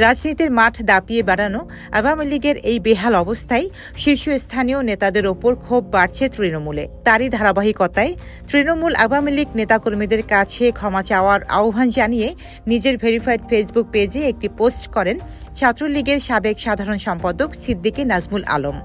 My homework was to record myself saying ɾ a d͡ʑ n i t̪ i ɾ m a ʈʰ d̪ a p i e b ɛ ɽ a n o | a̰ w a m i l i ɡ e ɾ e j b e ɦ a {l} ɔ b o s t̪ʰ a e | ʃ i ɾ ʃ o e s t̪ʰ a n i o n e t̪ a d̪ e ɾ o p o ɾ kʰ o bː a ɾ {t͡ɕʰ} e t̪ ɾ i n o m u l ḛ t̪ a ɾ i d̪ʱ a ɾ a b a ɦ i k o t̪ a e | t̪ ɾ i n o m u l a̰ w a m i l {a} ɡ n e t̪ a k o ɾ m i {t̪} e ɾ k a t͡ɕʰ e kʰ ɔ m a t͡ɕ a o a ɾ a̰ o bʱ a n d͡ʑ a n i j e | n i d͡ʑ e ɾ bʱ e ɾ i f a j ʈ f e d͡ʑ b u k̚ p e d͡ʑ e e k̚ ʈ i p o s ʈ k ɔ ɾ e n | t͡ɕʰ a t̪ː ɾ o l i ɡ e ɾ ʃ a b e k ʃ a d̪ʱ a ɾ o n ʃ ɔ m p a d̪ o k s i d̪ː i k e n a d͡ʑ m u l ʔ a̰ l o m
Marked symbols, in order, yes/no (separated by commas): yes, yes, no, no